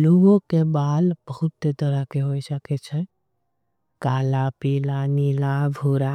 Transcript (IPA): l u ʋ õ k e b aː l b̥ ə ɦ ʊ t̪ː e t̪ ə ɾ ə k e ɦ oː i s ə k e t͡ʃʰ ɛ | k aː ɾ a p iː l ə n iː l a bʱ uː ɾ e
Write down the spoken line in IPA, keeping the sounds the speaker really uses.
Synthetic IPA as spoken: l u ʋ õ k e b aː l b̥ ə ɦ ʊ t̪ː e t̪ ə ɾ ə k e ɦ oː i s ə k e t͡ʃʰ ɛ | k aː l a p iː l a n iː l a bʱ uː ɾ a

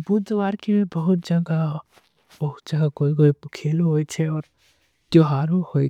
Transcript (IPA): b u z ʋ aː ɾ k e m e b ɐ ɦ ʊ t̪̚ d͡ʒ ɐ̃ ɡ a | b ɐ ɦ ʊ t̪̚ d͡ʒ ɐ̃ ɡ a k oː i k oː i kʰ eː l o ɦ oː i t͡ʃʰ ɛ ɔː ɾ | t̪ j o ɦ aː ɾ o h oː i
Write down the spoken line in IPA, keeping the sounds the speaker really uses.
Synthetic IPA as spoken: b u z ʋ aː ɾ k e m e b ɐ ɦ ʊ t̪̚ d͡ʒ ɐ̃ ɡ a | b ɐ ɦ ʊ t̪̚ d͡ʒ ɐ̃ ɡ a k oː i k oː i kʰ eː l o ɦ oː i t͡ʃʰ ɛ ɔː ɾ | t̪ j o ɦ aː ɾ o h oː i

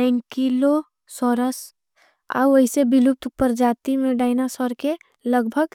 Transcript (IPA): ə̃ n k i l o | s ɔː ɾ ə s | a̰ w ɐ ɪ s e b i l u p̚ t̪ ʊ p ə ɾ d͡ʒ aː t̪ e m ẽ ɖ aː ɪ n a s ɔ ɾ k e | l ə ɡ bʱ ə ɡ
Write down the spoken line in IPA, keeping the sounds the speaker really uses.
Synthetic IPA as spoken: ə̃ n k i l o | s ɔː ɾ ə s | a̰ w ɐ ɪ s e b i l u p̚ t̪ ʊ p ə ɾ d͡ʒ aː t̪ i m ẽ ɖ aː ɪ n a s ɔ ɾ k e | l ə ɡ bʱ ə ɡ

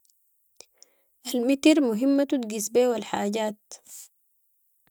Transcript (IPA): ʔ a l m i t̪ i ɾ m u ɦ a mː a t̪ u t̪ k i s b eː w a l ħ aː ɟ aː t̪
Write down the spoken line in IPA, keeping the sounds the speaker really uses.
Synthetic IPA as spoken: ʔ a l m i t̪ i ɾ m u ɦ i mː a t̪ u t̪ ɡ i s b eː w a l ħ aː ɟ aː t̪

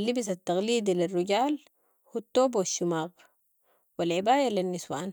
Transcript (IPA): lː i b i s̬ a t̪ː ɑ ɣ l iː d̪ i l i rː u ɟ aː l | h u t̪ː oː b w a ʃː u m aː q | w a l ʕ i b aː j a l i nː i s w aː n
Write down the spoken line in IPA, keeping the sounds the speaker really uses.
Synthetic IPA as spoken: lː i b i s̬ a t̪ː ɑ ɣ l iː d̪ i l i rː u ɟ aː l | h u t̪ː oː b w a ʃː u m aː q | w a l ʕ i b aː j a l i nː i s w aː n

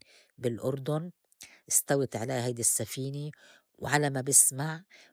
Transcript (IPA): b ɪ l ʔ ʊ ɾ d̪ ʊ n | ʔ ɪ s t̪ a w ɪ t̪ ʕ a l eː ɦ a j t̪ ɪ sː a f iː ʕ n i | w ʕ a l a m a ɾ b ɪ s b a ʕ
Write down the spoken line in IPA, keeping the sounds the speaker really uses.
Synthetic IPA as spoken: b ɪ l ʔ ʊ ɾ d̪ ʊ n | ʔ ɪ s t̪ a w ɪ t̪ ʕ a l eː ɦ a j d̪ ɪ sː a f iː n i | w ʕ a l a m a b ɪ s m a ʕ

